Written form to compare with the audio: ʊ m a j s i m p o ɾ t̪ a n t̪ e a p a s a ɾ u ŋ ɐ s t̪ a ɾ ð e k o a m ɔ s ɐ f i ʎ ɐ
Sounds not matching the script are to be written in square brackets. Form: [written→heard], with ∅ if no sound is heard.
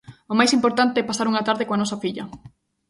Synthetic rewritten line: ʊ m a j s i m p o ɾ t̪ a n t̪ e [a→ɛ] p a s a ɾ u ŋ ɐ [s→∅] t̪ a ɾ ð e k o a [m→n] ɔ s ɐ f i ʎ ɐ